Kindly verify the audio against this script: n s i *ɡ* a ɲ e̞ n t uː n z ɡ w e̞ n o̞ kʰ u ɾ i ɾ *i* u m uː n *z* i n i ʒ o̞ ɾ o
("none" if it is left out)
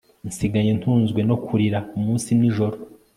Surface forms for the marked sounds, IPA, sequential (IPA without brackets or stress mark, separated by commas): ɡ, a, s